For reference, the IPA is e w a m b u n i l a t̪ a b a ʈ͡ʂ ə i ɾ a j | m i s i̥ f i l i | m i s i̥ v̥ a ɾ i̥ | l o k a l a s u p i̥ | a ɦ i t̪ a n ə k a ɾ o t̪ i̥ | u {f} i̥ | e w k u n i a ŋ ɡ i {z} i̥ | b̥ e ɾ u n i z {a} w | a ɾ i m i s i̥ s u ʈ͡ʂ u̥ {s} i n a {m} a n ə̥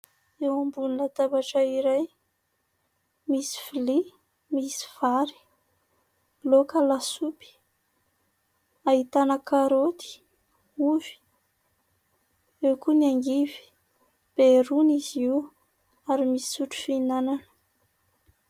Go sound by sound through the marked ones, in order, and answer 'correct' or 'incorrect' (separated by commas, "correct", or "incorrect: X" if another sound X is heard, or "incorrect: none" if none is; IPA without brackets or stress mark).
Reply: incorrect: v, incorrect: v, incorrect: i, incorrect: f, incorrect: n